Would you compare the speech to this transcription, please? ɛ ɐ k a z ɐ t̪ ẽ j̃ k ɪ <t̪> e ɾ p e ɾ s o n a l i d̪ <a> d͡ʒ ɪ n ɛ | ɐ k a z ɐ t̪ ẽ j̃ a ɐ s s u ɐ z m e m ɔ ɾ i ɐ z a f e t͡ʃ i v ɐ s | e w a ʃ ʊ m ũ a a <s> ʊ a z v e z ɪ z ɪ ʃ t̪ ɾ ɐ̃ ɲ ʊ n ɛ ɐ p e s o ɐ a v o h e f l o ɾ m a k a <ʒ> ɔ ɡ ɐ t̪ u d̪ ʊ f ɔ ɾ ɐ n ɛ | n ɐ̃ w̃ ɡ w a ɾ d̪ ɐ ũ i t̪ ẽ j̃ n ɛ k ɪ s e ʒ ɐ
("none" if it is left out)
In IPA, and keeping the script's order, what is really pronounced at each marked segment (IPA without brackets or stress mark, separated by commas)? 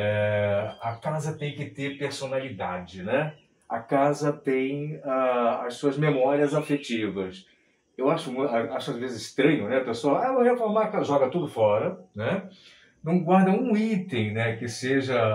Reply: t̪, a, ʃ, ʒ